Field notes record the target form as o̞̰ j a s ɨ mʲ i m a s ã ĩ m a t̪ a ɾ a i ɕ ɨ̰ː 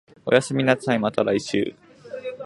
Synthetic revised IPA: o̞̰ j a s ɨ mʲ i n a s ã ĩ m a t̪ a ɾ a i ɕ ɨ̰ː